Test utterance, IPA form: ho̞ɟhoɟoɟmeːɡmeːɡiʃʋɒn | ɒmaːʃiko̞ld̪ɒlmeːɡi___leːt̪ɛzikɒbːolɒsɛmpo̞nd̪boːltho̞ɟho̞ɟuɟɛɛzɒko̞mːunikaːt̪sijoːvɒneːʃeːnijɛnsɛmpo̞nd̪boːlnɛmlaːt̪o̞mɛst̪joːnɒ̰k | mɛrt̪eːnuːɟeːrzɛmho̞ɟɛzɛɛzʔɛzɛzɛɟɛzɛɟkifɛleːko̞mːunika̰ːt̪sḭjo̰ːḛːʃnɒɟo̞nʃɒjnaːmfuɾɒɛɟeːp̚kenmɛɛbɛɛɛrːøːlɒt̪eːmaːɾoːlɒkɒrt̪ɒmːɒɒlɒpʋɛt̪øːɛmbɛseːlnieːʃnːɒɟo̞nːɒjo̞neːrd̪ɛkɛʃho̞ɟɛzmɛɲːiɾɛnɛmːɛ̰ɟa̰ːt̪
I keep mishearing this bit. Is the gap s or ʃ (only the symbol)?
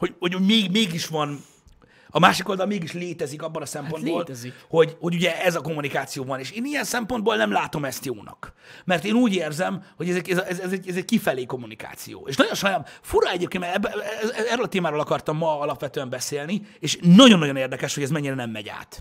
ʃ